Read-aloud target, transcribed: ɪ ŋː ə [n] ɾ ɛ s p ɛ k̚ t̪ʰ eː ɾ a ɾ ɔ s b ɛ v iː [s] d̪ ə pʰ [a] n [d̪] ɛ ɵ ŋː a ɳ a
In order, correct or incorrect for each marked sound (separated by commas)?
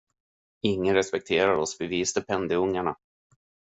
correct, correct, incorrect, correct